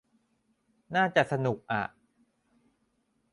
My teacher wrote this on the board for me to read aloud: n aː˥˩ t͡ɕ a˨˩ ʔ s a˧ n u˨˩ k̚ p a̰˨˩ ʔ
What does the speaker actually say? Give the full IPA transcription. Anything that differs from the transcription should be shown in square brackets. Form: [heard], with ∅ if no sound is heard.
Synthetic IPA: n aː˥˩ t͡ɕ a˨˩ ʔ s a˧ n u˨˩ k̚ [ʔ] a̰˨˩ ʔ